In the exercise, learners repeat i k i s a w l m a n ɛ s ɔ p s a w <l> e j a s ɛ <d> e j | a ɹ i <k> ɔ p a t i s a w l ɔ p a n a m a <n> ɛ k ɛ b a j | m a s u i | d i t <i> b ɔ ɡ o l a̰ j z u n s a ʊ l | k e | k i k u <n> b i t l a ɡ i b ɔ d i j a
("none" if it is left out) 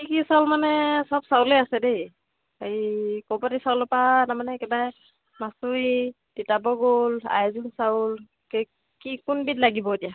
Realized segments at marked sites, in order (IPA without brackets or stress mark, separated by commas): l, d, k, n, a, n